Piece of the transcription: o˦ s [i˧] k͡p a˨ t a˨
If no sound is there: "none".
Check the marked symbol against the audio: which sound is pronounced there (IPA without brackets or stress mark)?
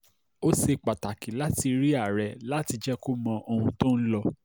e˧